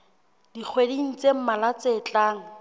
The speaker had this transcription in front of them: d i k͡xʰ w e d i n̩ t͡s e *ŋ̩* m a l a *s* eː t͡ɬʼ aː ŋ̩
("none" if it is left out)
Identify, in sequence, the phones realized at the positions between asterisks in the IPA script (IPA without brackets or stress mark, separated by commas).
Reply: m̩, t͡s